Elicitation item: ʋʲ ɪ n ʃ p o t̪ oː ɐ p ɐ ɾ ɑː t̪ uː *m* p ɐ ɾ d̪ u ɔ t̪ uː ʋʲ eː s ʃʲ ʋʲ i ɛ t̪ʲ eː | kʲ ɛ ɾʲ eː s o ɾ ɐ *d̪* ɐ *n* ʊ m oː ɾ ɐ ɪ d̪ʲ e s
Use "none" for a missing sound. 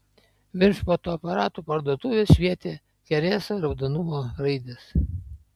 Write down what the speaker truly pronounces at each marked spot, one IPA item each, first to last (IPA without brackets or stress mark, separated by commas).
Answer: none, d̪, n